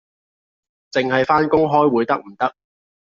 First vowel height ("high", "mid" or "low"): high